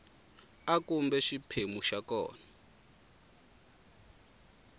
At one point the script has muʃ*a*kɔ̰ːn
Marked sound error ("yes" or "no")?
no